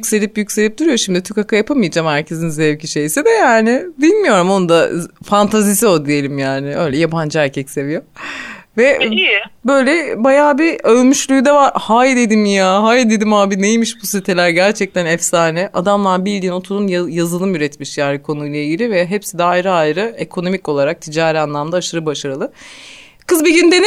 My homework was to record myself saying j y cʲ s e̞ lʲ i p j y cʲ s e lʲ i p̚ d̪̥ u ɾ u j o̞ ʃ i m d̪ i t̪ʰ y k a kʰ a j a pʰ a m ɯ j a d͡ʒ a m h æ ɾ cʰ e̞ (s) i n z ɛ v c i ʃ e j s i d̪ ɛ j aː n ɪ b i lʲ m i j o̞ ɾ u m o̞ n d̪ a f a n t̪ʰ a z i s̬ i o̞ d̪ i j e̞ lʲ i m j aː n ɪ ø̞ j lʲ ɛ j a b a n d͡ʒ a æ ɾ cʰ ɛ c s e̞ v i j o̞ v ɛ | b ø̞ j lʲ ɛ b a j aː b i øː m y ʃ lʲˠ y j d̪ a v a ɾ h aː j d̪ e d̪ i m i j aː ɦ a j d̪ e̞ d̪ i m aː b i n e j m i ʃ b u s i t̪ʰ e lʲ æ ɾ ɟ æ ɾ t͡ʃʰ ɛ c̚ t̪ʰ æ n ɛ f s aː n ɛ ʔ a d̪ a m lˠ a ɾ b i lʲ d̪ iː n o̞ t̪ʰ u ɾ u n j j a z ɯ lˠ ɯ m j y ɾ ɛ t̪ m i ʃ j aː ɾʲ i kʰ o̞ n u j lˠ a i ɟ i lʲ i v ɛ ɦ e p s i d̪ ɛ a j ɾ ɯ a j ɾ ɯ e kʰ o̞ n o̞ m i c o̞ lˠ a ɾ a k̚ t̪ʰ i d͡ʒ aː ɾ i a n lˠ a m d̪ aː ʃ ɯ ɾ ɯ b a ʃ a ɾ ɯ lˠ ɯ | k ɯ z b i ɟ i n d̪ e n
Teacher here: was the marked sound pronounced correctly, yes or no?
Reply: no